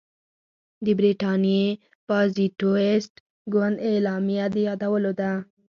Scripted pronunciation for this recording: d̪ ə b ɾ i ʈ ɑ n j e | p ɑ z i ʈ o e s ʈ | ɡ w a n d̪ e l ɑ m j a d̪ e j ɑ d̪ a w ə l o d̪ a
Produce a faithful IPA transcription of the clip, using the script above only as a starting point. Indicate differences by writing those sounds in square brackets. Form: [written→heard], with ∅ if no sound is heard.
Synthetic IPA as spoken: d̪ ə b ɾ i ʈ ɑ n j e | p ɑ z i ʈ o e s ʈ | ɡ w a n d̪ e l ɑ m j a d̪ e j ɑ d̪ a w ə l o d̪ a